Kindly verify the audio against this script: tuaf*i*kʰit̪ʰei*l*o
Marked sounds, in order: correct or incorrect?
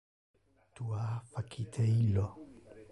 incorrect, correct

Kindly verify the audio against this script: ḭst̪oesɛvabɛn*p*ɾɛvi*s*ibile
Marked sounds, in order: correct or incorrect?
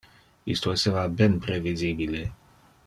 correct, incorrect

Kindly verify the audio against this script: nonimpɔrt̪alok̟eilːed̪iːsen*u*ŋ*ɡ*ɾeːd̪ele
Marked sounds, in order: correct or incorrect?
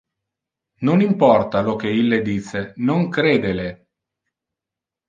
incorrect, incorrect

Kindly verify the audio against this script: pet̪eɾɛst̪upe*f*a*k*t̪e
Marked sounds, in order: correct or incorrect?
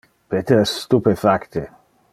correct, correct

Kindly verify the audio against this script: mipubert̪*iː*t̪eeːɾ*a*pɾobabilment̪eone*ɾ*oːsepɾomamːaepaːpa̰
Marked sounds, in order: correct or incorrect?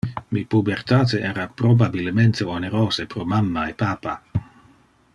incorrect, correct, correct

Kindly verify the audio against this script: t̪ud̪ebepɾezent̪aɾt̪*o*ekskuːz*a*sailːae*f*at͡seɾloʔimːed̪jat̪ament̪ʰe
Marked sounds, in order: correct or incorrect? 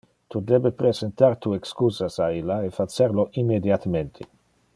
incorrect, correct, correct

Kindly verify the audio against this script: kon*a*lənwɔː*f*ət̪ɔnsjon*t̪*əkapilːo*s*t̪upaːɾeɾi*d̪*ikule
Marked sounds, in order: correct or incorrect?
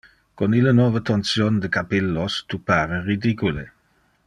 incorrect, incorrect, incorrect, correct, correct

